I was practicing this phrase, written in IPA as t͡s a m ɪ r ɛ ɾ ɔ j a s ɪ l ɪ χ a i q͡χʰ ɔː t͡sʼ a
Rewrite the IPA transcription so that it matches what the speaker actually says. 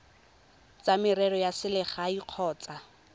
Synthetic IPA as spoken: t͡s a m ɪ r ɛ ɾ ɔ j a s ɪ l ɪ χ a i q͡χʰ ɔː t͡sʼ a